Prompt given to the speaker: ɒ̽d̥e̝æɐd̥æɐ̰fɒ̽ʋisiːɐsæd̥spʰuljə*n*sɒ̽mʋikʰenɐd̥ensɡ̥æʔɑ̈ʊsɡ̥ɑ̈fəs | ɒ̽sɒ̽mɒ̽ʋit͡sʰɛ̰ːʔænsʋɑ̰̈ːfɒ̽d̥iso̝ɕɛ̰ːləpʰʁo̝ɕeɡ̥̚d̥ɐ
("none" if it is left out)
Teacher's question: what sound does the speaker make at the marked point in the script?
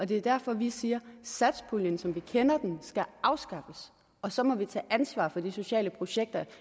n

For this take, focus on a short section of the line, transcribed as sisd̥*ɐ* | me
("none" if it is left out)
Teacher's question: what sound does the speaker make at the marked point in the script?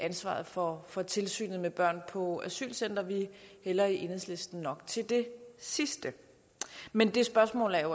ə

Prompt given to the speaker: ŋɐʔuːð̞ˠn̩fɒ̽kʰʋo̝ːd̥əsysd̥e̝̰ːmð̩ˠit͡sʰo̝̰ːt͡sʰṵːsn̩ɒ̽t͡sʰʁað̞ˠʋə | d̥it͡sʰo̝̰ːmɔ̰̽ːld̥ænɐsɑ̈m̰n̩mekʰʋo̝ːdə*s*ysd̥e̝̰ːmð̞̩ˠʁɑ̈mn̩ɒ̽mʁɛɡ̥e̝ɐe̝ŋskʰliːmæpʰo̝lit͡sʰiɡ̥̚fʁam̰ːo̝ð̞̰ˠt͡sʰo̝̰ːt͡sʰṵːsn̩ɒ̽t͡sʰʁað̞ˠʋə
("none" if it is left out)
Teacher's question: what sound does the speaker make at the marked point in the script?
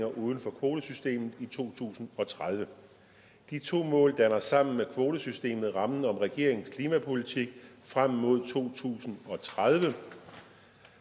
s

